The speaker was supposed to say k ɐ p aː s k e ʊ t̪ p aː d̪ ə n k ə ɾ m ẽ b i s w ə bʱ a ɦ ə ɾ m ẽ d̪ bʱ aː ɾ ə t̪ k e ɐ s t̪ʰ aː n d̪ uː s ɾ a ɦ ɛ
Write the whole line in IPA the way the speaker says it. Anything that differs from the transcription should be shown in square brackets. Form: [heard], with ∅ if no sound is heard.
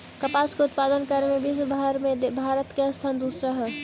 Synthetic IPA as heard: k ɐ p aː s k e ʊ t̪ p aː d̪ ə n k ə ɾ m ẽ b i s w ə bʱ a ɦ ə ɾ m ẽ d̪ bʱ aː ɾ ə t̪ k e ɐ s t̪ʰ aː n d̪ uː s ɾ a ɦ ɛ